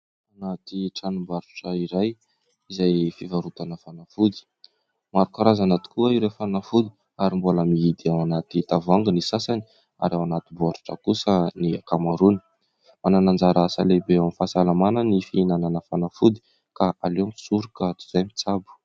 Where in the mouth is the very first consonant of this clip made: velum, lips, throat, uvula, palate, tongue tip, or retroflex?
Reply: tongue tip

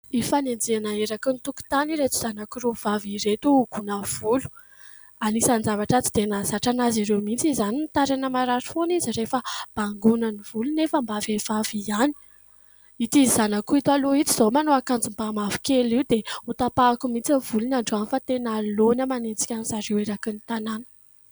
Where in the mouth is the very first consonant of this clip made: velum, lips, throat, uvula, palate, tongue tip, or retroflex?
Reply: lips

